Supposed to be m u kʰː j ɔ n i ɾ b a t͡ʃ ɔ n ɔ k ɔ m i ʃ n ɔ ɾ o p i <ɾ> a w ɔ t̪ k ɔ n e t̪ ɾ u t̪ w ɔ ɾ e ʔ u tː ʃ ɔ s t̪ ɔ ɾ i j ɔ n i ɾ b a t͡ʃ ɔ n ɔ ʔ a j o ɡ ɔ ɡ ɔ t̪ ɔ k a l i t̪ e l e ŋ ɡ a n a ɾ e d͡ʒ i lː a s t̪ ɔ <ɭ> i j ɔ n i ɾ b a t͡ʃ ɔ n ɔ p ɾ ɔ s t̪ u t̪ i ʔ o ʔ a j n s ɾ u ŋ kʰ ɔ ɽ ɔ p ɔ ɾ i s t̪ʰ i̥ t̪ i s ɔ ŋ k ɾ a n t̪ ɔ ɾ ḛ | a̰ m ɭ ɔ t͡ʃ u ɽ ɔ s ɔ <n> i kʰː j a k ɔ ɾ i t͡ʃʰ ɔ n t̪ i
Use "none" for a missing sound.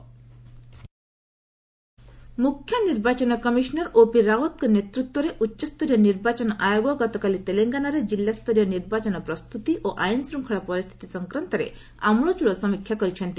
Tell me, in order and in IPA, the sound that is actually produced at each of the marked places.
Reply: ɾ, ɾ, m

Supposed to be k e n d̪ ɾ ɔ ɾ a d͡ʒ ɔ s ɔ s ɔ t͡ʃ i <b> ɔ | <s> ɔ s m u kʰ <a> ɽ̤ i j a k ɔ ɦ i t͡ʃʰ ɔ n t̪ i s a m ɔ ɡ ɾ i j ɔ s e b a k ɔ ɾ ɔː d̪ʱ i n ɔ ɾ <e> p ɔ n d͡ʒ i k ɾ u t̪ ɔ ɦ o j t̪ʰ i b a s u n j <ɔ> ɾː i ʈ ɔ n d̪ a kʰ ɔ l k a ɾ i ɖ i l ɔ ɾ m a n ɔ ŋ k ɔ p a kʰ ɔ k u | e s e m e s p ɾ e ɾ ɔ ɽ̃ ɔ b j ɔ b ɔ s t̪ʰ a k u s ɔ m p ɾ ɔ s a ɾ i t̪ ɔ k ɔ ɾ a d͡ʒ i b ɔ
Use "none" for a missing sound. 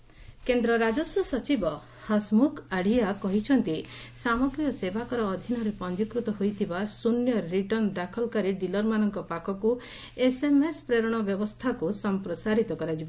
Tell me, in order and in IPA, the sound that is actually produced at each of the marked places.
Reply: b, h, a, e, ɔ

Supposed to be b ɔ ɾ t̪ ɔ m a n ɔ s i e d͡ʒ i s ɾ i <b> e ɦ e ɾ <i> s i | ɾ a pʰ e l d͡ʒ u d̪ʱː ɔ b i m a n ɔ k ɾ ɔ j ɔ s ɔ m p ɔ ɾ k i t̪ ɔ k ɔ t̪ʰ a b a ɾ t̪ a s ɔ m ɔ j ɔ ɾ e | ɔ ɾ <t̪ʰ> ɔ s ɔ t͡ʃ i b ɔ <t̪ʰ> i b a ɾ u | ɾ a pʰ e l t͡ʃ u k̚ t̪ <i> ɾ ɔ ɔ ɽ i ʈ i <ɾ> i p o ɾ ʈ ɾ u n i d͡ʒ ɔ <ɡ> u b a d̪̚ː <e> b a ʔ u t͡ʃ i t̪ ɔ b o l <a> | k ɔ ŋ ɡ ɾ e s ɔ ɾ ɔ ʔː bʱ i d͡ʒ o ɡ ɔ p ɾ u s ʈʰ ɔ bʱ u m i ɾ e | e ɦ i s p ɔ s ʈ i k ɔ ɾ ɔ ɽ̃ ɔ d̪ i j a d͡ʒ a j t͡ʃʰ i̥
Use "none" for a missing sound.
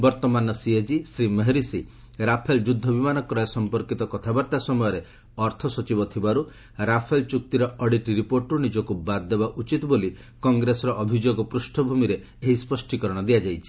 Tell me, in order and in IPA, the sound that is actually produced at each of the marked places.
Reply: m, i, t̪ʰ, t̪ʰ, i, ɾ, k, e, i

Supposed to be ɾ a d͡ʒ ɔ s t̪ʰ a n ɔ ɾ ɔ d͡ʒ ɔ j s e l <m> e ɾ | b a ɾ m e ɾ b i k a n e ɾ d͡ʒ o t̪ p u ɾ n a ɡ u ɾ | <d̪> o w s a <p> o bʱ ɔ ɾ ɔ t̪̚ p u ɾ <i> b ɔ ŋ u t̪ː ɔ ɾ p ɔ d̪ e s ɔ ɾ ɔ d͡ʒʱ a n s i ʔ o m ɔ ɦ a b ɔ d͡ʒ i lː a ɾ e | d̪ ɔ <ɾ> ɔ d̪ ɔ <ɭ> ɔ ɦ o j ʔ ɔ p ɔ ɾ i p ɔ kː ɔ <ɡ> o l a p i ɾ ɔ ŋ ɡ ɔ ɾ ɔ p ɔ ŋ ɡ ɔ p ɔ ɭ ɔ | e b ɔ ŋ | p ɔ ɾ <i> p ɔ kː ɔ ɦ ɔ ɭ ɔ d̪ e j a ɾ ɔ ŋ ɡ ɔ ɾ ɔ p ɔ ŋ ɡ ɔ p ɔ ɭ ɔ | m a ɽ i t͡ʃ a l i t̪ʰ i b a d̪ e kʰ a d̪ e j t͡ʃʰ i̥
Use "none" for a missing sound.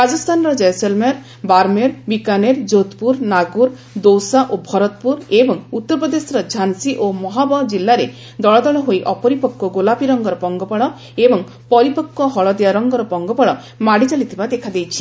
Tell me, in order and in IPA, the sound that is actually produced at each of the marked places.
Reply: m, d̪, ʔ, e, ɭ, ɭ, ɡ, i

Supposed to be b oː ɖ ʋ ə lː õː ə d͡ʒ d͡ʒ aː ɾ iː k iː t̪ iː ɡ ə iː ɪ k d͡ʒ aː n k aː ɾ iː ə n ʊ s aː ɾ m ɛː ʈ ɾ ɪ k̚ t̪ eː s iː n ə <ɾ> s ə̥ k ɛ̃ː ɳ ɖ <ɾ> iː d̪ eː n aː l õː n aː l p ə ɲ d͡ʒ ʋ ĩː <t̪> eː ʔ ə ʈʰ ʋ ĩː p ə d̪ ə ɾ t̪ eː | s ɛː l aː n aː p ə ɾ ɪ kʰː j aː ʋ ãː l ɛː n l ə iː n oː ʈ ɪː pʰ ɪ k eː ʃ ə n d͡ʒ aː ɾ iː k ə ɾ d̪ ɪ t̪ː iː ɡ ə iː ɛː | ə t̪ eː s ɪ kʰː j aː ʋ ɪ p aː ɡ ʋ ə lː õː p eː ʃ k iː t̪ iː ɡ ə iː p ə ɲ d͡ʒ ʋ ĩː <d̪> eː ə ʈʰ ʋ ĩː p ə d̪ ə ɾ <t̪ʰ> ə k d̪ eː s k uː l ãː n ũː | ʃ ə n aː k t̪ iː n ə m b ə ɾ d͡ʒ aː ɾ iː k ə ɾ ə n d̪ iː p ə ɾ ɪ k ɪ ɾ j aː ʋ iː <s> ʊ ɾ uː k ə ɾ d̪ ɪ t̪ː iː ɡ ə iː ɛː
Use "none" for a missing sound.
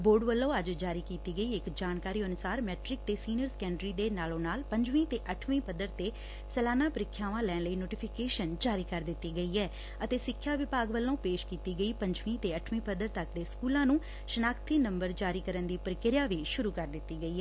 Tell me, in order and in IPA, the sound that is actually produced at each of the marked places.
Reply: ɾ, ɾ, t̪, t̪, t̪, ʃ

